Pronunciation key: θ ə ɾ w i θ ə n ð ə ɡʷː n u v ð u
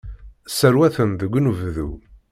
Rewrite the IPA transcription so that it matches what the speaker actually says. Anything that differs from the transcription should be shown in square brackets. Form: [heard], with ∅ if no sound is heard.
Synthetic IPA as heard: [s] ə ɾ w [æ] θ ə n ð ə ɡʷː n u v ð u